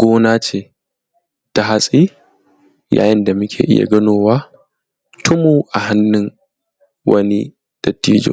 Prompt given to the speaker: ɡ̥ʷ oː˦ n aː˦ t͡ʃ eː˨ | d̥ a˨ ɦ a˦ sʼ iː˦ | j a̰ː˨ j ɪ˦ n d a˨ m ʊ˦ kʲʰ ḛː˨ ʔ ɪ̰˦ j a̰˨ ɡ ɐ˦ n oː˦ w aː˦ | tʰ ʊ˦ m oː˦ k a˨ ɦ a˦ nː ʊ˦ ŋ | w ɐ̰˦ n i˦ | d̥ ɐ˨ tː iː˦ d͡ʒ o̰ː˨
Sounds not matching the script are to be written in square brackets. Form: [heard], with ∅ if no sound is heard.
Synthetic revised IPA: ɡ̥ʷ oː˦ n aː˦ t͡ʃ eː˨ | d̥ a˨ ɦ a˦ sʼ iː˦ | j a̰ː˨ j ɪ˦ n d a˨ m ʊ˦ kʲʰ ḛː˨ ʔ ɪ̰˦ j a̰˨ ɡ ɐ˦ n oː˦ w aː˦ | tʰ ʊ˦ m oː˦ [ʔ] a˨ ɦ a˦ nː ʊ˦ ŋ | w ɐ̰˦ n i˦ | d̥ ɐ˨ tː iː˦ d͡ʒ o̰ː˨